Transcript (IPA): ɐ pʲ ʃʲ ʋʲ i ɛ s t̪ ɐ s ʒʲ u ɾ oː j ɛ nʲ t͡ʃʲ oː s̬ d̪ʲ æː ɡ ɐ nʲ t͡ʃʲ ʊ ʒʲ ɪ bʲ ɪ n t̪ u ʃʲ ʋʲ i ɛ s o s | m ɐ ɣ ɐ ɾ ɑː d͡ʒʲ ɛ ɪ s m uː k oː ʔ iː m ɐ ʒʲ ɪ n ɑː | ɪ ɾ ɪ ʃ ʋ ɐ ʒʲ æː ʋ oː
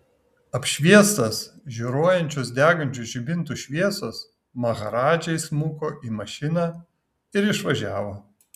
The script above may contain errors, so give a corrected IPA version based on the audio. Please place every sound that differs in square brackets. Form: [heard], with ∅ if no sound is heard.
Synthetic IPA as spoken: ɐ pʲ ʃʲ ʋʲ i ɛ s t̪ ɐ s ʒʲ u ɾ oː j ɛ nʲ t͡ʃʲ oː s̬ d̪ʲ æː ɡ ɐ nʲ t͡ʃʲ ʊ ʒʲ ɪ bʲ ɪ n t̪ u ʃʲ ʋʲ i ɛ s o s | m ɐ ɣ ɐ ɾ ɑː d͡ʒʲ ɛ ɪ s m uː k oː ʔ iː m ɐ [ʃʲ] ɪ n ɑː | ɪ ɾ ɪ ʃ ʋ ɐ ʒʲ æː ʋ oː